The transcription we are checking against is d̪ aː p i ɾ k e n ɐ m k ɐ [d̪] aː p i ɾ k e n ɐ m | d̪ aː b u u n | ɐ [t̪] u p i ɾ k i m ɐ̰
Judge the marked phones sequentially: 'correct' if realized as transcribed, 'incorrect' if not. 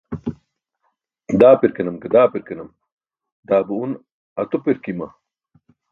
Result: correct, correct

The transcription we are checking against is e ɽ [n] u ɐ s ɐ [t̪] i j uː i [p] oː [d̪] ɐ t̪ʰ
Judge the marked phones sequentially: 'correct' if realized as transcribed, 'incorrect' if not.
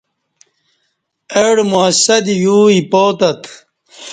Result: incorrect, incorrect, correct, incorrect

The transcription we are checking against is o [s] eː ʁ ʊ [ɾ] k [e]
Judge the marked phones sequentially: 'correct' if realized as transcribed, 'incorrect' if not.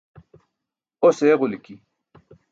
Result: correct, incorrect, incorrect

